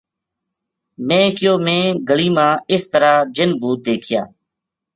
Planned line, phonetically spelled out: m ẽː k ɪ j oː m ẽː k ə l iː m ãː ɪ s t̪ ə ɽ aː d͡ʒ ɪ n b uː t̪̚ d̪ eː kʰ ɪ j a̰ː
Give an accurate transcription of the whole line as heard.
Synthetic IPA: m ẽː k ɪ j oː m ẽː ɡ ə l iː m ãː ɪ s t̪ ə ɾ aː d͡ʒ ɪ n b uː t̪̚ d̪ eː kʰ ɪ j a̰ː